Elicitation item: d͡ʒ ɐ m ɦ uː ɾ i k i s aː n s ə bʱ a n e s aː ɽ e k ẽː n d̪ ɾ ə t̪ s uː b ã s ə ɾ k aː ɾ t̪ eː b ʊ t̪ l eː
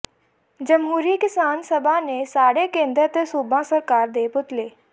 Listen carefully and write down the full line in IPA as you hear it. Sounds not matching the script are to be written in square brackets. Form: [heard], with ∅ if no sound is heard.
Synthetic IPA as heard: d͡ʒ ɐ m ɦ uː ɾ i k [ɪ] s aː n s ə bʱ a n e s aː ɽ e k ẽː n d̪ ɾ ə t̪ s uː b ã s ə ɾ k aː ɾ [d̪] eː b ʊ t̪ l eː